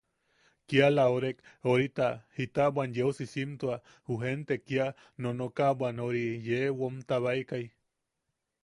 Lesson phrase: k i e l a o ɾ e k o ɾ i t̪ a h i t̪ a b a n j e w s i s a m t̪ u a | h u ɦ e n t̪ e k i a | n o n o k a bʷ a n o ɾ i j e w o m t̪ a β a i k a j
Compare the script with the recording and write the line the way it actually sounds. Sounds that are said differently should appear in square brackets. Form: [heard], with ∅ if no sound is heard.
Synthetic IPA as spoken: k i [a] l a o ɾ e k o ɾ i t̪ a h i t̪ a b a n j e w s i s [i] m t̪ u a | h u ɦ e n t̪ e k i a | n o n o k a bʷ a n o ɾ i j e w o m t̪ a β a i k a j